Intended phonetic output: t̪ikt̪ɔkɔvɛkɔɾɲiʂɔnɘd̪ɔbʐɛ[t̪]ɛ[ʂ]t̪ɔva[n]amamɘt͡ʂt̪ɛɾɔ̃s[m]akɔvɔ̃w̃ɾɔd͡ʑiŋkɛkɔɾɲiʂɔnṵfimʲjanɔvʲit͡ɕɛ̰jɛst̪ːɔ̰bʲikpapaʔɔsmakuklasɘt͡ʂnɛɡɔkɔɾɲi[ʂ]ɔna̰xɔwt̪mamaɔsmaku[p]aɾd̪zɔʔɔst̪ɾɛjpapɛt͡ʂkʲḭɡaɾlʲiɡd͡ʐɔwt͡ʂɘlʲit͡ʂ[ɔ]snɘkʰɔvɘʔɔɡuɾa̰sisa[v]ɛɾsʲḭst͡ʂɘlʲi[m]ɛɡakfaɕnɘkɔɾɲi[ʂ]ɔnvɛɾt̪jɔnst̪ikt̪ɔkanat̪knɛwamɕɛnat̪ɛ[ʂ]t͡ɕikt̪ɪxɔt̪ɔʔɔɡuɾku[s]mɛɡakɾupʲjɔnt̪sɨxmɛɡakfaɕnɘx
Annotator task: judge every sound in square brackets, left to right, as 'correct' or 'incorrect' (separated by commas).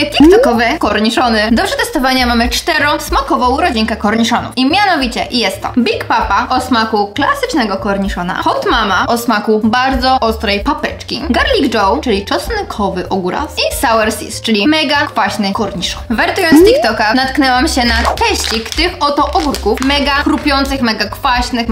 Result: correct, incorrect, incorrect, correct, correct, incorrect, correct, incorrect, correct, correct, incorrect, incorrect